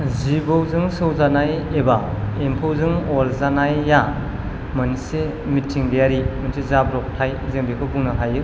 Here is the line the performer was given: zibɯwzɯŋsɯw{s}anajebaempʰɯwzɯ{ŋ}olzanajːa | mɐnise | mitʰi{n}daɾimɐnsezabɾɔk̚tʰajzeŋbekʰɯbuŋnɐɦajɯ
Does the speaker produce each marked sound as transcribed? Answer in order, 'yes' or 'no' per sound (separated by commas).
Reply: no, yes, no